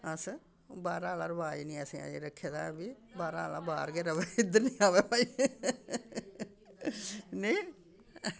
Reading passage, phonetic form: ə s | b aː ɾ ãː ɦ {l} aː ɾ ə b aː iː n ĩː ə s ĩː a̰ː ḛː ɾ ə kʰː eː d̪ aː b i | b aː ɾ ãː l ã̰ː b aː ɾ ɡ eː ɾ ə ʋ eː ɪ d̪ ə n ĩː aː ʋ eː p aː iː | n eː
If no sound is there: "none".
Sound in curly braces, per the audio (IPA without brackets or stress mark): l